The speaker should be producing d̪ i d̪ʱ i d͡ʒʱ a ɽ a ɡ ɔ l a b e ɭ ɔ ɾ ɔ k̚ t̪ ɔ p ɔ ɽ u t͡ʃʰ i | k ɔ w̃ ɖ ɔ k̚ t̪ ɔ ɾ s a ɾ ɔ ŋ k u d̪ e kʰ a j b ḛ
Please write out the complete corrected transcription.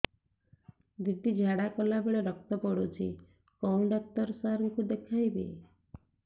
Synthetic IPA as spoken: d̪ i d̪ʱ i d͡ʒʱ a ɽ a k ɔ l a b e ɭ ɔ ɾ ɔ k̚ t̪ ɔ p ɔ ɽ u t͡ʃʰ i | k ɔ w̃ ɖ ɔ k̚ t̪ ɔ ɾ s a ɾ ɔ ŋ k u d̪ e kʰ a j b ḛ